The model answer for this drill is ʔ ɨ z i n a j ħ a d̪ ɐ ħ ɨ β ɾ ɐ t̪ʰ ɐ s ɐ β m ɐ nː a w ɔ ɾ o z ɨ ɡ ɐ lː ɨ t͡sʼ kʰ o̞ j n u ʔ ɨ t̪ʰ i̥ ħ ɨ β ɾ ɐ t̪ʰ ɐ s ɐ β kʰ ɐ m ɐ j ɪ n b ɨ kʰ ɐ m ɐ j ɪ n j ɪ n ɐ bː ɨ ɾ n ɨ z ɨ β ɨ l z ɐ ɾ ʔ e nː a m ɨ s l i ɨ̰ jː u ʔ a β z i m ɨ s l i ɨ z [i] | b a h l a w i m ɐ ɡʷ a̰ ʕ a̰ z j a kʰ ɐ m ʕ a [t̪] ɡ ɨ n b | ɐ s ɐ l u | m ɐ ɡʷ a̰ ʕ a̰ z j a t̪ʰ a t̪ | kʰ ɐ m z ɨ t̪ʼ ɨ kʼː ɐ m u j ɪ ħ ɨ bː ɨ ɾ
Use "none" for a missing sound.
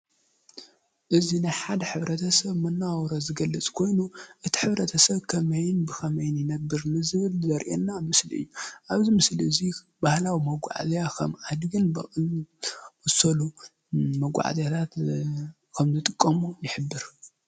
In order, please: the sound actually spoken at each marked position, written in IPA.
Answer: i, d̪

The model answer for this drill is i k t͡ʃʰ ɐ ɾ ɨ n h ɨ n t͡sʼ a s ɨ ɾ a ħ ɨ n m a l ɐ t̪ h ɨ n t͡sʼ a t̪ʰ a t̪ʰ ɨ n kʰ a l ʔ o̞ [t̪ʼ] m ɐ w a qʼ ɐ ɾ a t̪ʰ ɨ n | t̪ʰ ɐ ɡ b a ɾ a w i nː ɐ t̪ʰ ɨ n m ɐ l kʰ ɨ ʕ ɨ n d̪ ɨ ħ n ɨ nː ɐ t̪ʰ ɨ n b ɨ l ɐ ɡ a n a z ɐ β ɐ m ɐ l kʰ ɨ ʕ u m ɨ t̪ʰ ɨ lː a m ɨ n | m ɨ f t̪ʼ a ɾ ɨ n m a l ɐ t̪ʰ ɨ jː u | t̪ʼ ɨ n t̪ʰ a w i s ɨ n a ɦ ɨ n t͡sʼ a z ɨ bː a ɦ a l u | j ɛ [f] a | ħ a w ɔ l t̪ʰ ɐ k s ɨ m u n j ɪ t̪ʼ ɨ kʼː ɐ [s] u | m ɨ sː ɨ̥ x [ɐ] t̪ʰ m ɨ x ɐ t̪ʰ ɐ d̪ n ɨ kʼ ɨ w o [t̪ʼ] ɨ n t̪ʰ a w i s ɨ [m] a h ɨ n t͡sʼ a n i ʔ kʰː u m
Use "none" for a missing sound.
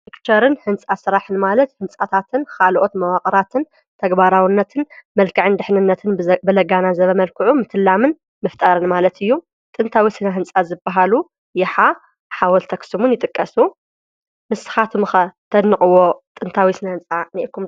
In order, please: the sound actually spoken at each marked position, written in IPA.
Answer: t̪, ħ, s, a, t̪ʼ, n

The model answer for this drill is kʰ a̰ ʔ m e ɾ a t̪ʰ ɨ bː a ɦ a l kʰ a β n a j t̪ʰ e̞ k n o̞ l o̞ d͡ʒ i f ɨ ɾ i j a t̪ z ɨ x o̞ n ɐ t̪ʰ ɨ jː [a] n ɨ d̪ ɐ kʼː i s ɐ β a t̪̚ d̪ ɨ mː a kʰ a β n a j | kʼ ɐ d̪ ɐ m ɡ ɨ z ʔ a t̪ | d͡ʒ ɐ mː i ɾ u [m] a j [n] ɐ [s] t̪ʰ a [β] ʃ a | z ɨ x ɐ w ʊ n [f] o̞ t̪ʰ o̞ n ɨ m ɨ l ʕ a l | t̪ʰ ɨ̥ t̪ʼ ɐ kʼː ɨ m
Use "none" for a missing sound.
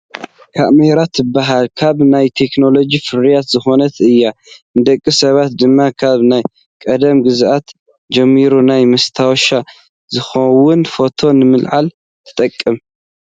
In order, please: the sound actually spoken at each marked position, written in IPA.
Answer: a, n, m, s, w, f

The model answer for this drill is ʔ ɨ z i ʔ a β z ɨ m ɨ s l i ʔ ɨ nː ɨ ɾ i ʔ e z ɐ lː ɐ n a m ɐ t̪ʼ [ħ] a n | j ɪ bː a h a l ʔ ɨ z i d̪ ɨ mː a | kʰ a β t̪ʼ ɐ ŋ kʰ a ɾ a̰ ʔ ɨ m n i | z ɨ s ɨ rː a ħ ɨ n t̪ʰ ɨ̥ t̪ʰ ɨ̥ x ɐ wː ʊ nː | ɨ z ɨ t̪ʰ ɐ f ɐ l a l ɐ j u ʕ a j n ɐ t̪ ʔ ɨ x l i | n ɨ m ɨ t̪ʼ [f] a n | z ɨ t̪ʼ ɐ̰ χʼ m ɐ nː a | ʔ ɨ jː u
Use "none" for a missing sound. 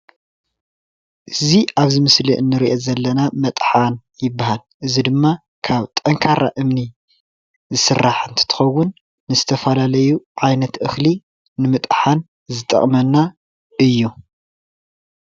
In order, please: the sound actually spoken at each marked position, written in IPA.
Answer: ħ, ħ

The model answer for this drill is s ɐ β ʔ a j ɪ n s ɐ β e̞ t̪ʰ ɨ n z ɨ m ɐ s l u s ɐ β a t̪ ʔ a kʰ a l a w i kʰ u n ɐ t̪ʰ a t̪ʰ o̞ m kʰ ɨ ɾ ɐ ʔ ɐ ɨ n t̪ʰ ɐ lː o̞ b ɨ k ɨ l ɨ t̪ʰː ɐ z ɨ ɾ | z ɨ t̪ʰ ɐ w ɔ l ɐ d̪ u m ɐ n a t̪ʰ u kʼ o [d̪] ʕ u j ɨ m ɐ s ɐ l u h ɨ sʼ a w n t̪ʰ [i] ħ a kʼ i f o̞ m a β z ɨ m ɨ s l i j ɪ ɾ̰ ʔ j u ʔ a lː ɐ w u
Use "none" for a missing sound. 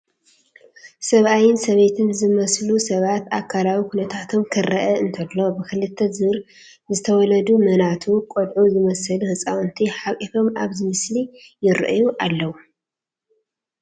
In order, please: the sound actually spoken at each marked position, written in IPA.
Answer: d̪, i

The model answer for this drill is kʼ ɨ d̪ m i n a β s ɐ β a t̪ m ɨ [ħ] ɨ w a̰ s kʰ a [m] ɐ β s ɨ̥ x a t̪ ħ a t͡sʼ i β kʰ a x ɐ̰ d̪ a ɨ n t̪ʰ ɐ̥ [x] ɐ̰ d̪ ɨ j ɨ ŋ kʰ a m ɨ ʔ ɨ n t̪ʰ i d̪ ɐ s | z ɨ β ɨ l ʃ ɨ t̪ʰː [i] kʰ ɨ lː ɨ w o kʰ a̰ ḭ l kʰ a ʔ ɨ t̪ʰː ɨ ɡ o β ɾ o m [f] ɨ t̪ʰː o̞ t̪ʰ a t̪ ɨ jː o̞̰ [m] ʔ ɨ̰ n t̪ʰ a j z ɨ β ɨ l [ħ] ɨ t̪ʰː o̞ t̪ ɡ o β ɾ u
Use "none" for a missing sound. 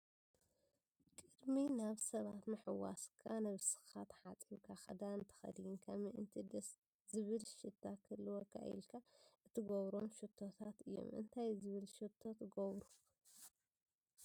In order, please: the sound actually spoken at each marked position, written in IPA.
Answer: ħ, n, x, a, ʃ, m, ʃ

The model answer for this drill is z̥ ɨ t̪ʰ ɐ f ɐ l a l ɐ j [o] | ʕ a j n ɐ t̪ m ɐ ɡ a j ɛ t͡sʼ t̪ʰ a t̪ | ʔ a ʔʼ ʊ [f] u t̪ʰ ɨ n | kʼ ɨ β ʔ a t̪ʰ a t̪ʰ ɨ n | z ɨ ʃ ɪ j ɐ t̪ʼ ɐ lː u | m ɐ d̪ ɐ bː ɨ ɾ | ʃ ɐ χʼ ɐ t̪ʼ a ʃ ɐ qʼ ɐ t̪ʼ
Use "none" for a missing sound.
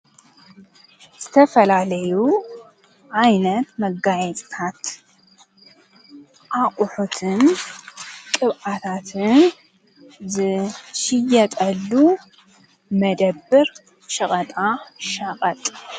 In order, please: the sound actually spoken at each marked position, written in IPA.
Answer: u, ħ

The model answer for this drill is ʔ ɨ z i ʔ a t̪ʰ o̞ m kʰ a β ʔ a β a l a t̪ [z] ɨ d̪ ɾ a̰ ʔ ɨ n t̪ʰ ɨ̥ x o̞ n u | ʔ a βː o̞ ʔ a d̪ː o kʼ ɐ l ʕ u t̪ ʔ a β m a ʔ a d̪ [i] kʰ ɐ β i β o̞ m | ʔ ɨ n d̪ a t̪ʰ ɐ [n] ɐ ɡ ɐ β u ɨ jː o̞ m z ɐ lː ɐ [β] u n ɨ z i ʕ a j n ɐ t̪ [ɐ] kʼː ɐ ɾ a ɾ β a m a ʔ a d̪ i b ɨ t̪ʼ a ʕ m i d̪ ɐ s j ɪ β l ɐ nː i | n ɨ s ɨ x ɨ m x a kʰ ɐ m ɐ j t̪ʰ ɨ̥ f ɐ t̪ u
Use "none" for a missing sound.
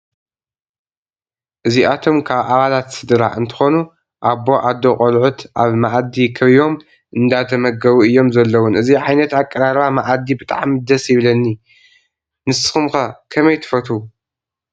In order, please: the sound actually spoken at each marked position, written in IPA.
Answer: s, i, m, w, a

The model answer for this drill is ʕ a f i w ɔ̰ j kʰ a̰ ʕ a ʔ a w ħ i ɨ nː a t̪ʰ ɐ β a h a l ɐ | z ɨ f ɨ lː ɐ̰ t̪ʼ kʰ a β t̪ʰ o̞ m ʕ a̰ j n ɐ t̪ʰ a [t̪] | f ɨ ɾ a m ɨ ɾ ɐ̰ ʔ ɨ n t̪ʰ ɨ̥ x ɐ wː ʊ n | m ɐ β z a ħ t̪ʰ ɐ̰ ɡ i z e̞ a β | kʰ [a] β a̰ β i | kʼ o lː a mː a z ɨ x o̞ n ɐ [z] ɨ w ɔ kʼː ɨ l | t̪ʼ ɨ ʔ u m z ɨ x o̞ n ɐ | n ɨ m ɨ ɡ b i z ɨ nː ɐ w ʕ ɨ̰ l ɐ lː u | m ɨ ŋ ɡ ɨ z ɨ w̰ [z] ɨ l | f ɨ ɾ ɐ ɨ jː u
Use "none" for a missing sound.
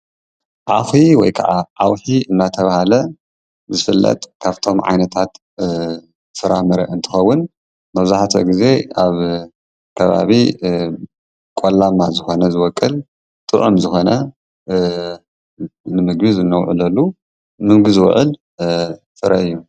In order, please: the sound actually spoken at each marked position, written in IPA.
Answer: t̪, ɐ, z, ʕ

